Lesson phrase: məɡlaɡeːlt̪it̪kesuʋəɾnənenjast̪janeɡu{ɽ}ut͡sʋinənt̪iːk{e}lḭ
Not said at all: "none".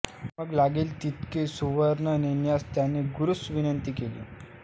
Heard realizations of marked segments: ɾ, e

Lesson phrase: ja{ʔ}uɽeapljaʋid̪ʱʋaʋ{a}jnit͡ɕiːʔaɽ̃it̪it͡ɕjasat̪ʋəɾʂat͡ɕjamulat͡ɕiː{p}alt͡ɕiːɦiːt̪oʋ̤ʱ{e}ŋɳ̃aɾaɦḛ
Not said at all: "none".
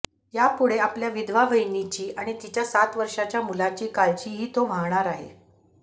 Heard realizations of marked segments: p, ə, k, a

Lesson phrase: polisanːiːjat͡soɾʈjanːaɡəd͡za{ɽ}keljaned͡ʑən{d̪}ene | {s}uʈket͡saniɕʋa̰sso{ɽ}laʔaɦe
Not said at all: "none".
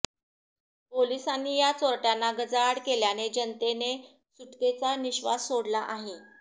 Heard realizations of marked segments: ɽ, t̪, s, ɽ

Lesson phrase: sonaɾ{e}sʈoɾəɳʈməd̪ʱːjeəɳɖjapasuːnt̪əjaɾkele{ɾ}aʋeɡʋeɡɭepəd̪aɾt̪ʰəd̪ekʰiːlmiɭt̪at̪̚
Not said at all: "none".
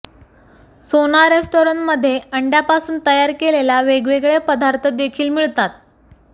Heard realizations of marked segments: e, l

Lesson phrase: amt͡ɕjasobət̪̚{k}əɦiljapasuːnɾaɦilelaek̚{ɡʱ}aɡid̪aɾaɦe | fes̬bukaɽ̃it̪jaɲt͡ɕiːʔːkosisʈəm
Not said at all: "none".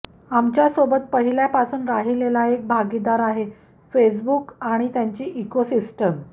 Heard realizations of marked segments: p, bʱ

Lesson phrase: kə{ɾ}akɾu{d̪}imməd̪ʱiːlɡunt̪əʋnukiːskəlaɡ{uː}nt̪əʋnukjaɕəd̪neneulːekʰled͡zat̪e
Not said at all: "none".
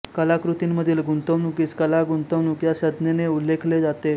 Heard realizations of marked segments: l, t̪, u

